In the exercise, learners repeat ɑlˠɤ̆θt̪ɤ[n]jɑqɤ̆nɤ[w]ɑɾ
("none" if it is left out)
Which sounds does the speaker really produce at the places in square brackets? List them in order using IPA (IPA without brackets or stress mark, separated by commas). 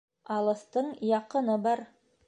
ɴ, b